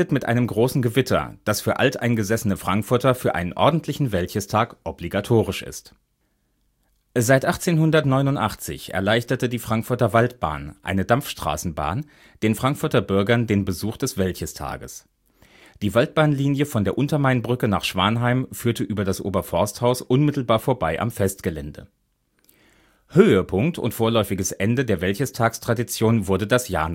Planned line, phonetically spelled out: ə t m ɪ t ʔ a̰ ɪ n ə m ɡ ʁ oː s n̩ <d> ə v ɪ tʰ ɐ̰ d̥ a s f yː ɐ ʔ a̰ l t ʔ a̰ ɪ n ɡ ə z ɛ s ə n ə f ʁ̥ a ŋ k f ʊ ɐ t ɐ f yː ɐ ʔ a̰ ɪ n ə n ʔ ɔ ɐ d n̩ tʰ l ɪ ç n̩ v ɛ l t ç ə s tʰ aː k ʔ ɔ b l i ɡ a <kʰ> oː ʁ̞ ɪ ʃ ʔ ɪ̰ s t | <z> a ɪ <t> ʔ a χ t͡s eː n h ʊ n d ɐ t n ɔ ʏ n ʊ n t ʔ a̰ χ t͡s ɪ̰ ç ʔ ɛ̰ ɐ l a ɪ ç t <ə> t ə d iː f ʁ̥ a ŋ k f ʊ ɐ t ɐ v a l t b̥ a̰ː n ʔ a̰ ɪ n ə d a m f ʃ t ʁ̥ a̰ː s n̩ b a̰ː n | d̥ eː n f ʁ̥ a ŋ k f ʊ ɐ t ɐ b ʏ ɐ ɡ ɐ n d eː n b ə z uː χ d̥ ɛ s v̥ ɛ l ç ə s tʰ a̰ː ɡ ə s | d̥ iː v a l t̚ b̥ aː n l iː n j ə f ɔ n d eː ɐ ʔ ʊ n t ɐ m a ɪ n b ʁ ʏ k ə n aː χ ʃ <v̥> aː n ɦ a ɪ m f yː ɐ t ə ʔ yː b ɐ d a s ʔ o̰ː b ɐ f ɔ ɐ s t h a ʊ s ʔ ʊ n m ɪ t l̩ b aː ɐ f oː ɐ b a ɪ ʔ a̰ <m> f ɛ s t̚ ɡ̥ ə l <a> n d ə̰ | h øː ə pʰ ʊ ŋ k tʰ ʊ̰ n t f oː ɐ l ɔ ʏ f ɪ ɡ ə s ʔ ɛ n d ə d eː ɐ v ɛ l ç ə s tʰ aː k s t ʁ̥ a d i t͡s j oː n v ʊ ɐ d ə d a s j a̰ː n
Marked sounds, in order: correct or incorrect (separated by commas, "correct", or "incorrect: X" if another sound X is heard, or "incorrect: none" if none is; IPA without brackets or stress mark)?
incorrect: ɡ, incorrect: tʰ, correct, correct, incorrect: ɐ, correct, correct, incorrect: ɛ